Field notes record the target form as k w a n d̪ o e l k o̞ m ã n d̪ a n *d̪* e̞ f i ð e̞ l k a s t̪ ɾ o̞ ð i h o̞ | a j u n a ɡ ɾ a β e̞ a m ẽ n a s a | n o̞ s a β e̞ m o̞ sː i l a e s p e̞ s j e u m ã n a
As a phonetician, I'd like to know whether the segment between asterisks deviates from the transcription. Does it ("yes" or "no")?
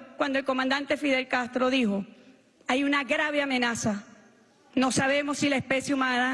yes